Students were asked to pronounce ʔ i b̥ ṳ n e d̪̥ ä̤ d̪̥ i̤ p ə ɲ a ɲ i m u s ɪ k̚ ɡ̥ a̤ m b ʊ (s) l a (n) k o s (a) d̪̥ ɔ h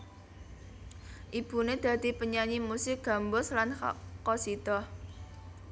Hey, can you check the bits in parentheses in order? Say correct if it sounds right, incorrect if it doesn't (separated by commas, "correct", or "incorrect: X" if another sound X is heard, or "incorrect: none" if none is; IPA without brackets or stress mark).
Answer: correct, correct, incorrect: i